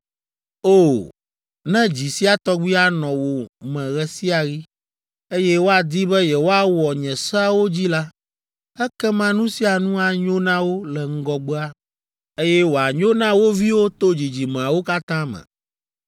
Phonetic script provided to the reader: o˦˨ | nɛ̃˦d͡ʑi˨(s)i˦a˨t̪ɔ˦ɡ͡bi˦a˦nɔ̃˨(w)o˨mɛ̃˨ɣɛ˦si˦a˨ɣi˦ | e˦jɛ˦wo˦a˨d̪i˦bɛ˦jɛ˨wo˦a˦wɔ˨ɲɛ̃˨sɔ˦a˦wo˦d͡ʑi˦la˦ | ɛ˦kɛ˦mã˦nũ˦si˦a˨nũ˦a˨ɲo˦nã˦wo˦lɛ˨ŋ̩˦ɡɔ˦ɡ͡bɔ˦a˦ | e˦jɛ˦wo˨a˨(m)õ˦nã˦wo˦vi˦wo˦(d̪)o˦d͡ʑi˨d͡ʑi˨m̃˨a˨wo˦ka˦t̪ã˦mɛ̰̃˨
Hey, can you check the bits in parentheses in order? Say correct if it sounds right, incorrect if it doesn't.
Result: correct, correct, incorrect: ɲ, incorrect: t̪

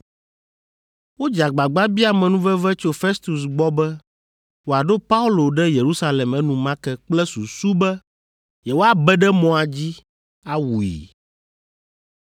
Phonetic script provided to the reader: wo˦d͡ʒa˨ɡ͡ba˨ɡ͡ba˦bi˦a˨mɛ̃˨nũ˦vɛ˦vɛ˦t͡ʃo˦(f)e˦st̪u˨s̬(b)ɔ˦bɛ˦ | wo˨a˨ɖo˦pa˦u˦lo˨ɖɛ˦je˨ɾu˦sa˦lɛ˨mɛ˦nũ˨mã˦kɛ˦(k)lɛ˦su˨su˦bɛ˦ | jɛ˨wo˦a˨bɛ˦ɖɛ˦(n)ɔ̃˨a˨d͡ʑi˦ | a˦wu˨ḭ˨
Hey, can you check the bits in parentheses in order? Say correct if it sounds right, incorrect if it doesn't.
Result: correct, incorrect: ɡ͡b, incorrect: k͡p, incorrect: m

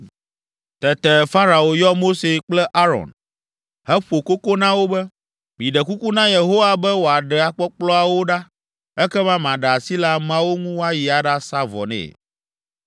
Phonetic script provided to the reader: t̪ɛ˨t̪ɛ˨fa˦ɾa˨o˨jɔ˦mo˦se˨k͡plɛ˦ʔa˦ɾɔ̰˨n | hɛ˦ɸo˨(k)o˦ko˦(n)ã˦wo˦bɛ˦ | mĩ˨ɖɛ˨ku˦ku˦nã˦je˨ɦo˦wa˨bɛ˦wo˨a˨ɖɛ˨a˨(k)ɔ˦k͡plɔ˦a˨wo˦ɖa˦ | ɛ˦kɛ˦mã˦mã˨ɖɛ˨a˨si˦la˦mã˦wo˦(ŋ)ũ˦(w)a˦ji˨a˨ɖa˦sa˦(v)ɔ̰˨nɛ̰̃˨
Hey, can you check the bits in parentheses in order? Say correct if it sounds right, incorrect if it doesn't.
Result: correct, correct, incorrect: k͡p, correct, correct, correct

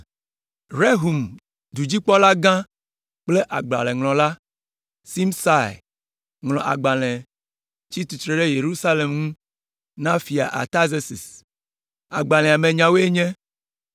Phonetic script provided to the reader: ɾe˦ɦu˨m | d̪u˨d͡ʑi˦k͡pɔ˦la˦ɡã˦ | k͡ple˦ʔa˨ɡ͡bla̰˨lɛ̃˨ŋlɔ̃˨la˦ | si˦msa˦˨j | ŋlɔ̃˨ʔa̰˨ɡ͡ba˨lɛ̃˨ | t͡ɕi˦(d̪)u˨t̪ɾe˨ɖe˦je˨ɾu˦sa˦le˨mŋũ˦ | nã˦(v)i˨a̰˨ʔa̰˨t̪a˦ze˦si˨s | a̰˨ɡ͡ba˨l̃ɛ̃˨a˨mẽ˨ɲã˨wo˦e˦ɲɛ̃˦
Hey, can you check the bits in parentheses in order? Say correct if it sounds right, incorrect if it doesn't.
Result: incorrect: t̪, incorrect: f

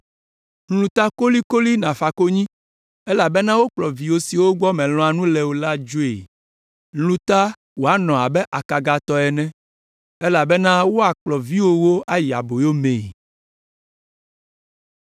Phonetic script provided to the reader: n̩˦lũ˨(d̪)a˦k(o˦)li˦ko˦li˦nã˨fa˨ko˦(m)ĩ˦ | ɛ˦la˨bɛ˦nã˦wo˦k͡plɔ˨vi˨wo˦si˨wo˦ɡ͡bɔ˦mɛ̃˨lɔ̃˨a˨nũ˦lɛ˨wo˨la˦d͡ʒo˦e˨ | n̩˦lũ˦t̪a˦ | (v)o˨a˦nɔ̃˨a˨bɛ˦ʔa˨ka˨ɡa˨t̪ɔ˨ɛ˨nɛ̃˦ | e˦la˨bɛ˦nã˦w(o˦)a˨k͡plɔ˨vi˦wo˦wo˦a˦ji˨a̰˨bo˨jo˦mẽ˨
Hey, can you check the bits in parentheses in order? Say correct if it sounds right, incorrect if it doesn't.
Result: incorrect: t̪, correct, incorrect: ɲ, incorrect: w, correct

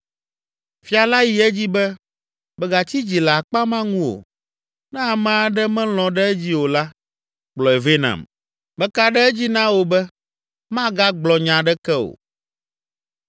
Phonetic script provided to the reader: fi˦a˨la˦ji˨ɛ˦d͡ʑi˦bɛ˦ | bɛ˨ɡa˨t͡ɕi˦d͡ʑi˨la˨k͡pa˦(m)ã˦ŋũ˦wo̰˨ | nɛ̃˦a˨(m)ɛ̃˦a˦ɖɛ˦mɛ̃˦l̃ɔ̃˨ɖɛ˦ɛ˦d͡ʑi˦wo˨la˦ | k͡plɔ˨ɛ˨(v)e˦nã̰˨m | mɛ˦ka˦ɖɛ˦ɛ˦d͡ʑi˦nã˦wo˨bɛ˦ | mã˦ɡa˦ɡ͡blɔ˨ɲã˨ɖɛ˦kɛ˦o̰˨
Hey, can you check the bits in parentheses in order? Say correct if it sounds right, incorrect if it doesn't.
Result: correct, correct, correct

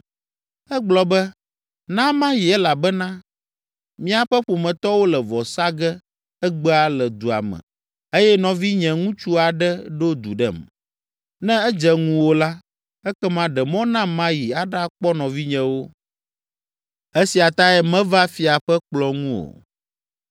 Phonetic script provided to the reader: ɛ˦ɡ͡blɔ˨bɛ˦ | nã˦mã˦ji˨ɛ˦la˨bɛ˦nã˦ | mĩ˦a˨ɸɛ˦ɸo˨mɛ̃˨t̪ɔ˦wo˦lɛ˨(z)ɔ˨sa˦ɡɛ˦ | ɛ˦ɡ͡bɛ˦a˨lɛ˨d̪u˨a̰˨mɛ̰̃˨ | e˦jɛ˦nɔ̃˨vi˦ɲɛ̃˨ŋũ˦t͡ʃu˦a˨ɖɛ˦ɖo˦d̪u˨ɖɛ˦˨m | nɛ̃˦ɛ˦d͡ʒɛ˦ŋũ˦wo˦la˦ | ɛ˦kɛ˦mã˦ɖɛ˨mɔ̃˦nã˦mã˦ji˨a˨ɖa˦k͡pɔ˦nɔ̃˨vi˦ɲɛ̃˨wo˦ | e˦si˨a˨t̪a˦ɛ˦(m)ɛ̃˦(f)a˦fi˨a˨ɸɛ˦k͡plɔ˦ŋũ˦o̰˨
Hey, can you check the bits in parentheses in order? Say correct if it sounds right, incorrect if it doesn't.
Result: incorrect: v, correct, incorrect: v

